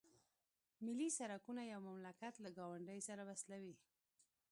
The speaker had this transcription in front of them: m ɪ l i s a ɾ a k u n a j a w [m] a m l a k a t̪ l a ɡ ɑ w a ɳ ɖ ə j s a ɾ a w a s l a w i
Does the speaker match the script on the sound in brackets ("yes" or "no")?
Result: yes